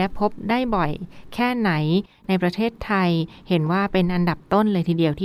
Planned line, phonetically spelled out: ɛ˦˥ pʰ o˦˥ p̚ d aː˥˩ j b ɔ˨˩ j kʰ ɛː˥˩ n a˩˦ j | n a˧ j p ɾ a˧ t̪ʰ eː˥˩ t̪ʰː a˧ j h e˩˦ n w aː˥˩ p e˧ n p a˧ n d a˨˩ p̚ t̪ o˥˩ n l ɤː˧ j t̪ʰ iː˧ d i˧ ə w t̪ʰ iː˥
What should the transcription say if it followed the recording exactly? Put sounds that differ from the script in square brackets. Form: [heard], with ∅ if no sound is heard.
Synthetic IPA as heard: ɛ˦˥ pʰ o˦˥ p̚ d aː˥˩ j b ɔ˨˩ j kʰ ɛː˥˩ n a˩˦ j | n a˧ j p ɾ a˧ t̪ʰ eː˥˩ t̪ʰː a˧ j h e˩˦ n w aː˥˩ p e˧ n [ʔ] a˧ n d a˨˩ p̚ t̪ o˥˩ n l ɤː˧ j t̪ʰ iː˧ d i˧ ə w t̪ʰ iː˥